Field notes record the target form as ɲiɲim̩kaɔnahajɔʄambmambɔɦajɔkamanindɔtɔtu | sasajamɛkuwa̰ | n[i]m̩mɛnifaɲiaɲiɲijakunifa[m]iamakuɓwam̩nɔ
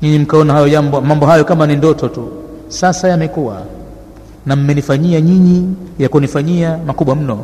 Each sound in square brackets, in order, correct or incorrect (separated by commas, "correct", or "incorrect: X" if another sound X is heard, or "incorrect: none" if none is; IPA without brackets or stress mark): incorrect: a, incorrect: ɲ